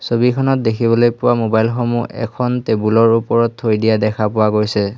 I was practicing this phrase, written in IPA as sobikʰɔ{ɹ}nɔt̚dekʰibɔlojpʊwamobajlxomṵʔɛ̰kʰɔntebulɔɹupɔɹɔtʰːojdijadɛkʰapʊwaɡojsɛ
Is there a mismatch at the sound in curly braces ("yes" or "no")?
yes